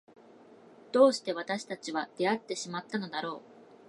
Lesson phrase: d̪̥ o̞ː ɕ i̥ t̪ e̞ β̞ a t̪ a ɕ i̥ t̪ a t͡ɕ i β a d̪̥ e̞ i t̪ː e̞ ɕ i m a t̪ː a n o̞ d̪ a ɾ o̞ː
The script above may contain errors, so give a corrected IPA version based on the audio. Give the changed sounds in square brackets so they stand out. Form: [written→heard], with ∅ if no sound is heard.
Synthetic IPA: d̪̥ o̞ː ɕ i̥ t̪ e̞ β̞ a t̪ a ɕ i̥ t̪ a t͡ɕ i β a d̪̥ e̞ [i→a] t̪ː e̞ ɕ i m a t̪ː a n o̞ d̪ a ɾ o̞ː